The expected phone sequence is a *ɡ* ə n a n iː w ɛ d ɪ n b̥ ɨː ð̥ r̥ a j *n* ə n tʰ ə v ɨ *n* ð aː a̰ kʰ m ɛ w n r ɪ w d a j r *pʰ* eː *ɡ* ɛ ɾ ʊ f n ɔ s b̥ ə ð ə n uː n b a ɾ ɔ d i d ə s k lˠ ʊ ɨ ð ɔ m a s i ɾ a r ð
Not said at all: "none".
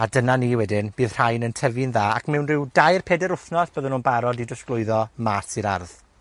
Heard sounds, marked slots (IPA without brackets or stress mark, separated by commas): d, n, n, pʰ, d